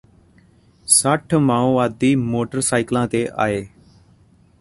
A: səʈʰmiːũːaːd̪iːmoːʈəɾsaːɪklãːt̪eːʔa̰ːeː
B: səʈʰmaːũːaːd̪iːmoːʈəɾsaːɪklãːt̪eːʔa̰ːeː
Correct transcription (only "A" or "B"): B